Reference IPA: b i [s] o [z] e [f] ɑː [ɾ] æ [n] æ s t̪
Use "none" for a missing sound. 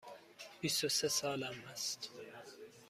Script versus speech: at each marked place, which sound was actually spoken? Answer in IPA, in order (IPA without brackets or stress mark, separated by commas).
s, s, s, l, m